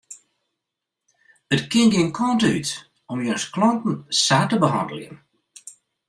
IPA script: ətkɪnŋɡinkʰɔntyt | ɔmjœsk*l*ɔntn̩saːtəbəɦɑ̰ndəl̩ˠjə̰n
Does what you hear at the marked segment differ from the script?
no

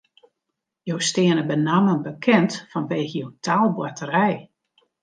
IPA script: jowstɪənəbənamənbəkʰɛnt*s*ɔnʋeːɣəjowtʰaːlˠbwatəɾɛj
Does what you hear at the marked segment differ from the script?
yes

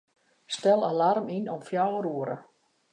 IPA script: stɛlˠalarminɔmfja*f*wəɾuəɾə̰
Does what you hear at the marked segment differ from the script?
yes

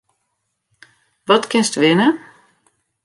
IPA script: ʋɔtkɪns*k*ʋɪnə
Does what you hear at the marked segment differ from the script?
yes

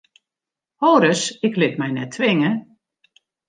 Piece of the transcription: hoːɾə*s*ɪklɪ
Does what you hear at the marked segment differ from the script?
no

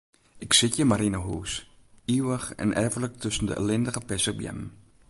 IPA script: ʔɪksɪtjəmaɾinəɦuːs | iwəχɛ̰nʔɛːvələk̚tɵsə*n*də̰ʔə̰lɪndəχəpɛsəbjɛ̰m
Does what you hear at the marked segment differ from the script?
no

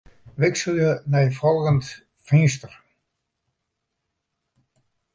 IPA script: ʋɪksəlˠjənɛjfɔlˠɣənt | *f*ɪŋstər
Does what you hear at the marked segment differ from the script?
no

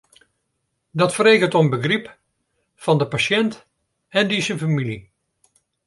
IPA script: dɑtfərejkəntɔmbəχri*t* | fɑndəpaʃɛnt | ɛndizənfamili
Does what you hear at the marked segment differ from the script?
yes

